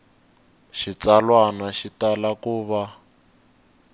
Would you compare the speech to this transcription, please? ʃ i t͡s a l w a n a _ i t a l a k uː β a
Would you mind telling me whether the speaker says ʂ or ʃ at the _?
ʃ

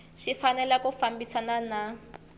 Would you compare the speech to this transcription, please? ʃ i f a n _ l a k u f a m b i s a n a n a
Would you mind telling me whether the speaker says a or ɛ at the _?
ɛ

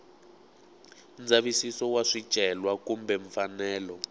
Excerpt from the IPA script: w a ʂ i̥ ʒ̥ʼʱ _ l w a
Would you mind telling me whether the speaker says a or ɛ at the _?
ɛ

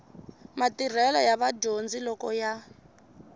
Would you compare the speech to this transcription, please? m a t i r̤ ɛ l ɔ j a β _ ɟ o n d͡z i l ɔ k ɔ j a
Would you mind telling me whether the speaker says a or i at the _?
a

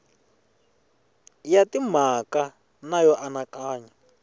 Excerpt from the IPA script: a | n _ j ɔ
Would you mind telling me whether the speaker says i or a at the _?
a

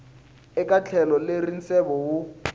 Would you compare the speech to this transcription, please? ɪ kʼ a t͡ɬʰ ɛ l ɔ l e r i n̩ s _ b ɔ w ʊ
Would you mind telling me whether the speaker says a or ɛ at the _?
ɛ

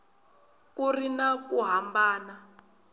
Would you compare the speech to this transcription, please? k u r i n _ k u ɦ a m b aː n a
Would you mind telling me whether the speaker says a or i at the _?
a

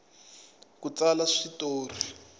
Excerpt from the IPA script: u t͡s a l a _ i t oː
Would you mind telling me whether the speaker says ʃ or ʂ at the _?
ʂ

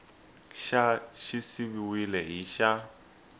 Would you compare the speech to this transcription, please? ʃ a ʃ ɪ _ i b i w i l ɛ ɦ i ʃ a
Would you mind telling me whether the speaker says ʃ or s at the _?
s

